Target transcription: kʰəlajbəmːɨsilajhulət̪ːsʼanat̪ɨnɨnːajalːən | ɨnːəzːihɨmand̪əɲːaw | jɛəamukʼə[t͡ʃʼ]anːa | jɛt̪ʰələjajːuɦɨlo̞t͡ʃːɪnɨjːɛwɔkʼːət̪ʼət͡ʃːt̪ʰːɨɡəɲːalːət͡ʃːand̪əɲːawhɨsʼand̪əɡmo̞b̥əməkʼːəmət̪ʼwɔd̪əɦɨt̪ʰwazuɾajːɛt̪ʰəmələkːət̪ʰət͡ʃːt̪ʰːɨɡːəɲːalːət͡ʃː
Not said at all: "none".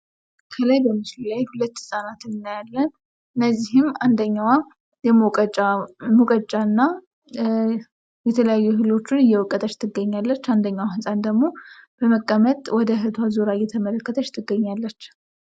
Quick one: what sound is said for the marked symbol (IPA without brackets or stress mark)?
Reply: t͡ʃʼ